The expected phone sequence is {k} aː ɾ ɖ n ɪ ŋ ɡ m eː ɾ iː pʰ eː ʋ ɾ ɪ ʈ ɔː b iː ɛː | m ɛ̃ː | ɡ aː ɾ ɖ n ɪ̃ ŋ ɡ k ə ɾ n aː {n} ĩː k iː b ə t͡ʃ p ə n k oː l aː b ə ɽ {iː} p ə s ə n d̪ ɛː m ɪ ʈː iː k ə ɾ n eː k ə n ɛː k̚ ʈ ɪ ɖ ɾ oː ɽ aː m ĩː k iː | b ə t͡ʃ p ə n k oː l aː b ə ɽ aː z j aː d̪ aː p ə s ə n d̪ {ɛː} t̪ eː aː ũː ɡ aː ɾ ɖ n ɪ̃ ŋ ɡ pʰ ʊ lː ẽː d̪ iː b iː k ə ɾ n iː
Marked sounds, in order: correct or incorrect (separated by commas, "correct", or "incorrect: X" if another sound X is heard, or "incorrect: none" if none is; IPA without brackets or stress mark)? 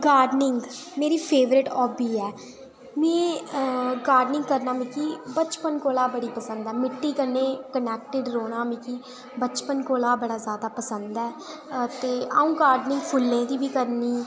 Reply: incorrect: ɡ, incorrect: m, correct, correct